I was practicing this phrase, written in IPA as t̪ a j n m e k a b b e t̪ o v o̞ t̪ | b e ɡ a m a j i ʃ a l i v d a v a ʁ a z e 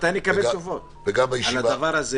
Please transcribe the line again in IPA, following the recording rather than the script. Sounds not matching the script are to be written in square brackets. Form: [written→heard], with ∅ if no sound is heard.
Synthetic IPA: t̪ a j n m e k a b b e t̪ o v o̞ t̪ | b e ɡ a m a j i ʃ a l [i→a] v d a v a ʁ a z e